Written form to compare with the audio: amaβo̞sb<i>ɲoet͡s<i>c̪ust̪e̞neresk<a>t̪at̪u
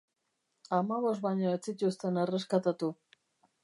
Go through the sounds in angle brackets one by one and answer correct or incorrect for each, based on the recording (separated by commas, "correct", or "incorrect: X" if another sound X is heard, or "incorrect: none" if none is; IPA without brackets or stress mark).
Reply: incorrect: a, correct, correct